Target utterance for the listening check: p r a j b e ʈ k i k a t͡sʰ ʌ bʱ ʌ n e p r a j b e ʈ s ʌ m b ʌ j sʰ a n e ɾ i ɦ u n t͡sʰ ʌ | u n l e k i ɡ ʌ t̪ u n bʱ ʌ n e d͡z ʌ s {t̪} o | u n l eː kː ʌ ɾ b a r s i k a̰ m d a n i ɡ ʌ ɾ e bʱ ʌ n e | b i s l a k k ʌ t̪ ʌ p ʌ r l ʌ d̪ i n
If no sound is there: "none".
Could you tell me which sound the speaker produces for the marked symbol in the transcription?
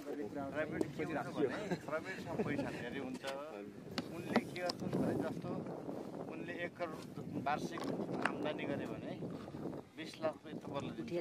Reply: t̪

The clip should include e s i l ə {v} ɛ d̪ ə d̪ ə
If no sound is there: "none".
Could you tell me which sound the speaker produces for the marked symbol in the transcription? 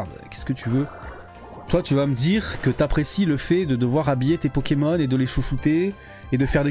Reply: f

